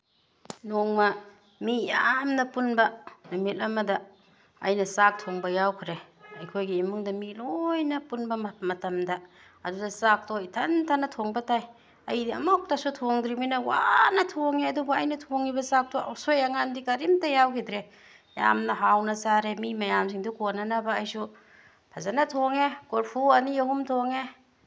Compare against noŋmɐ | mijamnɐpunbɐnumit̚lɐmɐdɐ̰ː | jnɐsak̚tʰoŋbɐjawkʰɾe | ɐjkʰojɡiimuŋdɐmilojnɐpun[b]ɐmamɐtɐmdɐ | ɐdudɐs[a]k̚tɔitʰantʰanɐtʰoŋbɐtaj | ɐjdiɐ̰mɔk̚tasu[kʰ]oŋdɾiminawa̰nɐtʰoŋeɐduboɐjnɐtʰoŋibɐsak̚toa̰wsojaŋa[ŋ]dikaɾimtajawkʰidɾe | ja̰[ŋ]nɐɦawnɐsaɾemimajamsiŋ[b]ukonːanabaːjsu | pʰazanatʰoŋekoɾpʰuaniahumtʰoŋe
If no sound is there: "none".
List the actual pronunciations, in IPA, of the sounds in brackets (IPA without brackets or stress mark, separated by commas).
b, a, tʰ, n, m, d